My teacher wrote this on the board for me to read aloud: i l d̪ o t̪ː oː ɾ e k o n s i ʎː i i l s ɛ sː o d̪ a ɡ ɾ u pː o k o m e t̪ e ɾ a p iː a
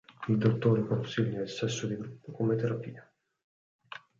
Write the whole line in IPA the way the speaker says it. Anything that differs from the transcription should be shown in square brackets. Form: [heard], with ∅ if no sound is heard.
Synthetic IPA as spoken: i l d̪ o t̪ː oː ɾ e k o n s i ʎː [a] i l s ɛ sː o d̪ [i] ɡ ɾ u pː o k o m e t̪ e ɾ a p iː a